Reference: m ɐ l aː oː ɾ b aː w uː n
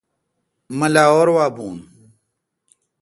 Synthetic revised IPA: m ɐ l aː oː ɾ w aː b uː n